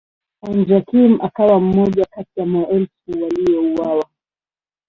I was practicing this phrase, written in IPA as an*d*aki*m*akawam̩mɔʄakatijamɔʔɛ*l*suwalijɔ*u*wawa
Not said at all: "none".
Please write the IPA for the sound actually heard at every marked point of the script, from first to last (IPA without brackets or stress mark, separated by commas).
d͡ʒ, m, l, u